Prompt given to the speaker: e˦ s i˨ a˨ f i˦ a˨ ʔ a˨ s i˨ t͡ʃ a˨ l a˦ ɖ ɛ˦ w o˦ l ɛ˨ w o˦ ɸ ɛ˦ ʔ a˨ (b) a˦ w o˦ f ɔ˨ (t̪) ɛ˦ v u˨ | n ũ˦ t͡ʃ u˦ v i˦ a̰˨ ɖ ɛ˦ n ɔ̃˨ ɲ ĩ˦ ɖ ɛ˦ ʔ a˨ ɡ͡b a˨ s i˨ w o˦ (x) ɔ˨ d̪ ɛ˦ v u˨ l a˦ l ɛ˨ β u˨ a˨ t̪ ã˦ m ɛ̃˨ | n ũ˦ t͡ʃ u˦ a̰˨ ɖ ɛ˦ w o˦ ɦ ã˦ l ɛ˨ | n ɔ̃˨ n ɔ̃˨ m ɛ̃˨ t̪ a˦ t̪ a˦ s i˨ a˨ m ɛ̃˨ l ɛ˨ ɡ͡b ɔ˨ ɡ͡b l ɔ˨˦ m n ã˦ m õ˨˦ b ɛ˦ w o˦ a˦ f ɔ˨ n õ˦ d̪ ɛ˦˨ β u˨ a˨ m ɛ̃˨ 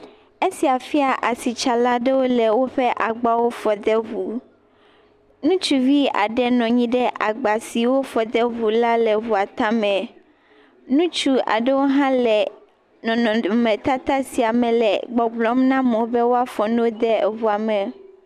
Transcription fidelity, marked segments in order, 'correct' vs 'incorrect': incorrect: ɡ͡b, incorrect: d̪, incorrect: f

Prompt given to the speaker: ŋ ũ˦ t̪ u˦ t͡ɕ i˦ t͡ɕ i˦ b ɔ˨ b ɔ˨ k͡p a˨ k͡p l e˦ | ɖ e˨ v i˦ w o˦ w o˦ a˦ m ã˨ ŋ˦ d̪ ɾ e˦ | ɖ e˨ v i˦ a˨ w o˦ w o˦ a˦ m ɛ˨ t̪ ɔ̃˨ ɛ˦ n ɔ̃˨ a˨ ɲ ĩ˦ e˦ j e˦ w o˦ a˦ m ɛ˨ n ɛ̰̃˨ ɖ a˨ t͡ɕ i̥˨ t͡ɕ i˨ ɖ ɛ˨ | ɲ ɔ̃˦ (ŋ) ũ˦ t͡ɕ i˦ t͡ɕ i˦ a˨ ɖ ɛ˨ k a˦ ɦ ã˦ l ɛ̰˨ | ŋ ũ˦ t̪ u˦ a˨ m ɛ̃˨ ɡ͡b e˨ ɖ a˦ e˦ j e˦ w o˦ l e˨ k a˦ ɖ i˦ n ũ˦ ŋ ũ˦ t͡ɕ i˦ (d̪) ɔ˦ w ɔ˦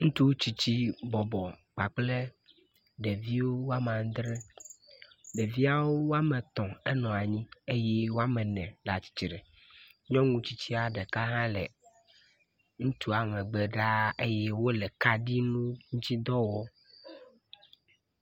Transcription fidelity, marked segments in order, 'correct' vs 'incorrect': correct, correct

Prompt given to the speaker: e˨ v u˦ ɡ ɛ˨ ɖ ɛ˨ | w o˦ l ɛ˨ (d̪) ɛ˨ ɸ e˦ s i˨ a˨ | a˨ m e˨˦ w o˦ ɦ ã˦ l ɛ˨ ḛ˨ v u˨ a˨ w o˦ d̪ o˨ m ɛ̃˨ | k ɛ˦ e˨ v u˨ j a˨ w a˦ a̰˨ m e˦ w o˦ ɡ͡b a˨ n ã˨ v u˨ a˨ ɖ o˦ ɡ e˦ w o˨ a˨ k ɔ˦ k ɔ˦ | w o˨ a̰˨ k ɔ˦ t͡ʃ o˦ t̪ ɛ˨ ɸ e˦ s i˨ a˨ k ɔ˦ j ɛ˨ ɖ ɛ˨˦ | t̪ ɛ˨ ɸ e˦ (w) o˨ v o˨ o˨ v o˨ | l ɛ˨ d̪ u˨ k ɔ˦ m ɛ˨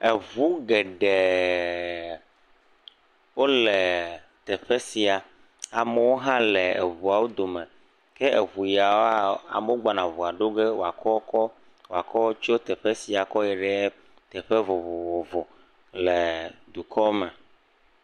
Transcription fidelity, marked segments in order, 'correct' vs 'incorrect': incorrect: t̪, incorrect: v

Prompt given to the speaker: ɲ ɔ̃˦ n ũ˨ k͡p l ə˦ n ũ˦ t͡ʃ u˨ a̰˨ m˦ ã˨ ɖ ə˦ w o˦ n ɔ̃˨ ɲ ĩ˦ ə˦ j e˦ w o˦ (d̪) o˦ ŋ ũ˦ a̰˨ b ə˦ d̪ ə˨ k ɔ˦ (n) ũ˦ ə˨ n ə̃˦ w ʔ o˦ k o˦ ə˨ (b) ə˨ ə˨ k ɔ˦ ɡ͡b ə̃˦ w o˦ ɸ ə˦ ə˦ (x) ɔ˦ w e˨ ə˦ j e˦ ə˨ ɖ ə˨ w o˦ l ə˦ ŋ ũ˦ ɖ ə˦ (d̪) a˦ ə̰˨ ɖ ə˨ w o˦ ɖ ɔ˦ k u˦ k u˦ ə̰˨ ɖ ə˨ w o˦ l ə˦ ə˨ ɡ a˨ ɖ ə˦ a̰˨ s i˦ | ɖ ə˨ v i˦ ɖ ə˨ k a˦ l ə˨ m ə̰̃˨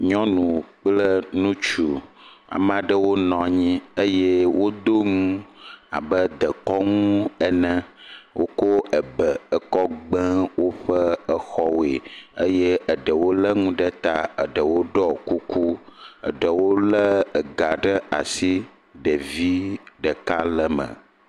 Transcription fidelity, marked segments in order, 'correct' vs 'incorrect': correct, incorrect: ŋ, correct, correct, incorrect: t̪

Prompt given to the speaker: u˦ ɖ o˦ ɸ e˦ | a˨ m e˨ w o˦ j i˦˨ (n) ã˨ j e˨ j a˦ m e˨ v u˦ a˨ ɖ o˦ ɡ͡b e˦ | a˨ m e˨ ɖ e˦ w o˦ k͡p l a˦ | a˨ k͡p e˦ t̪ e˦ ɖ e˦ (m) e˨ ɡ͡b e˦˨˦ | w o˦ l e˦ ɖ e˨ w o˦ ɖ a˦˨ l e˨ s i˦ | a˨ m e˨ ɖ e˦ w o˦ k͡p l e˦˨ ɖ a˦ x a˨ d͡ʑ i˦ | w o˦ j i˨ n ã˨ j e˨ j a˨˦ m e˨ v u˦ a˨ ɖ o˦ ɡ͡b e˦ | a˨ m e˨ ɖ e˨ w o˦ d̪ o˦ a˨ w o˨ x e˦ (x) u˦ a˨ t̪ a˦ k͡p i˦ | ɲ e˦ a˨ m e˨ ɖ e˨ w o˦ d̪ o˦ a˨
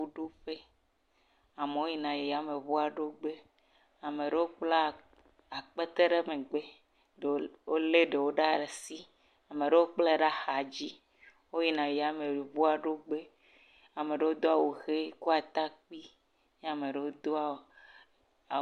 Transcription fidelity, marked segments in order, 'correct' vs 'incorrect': correct, correct, incorrect: k

